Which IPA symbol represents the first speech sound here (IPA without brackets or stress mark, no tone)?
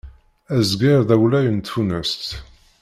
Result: æ